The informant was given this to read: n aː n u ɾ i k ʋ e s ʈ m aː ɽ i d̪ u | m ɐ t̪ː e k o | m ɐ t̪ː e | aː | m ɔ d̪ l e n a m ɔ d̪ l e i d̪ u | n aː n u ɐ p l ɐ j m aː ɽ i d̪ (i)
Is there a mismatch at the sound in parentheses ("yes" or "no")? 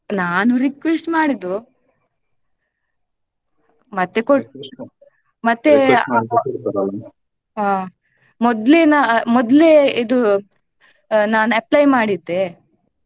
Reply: yes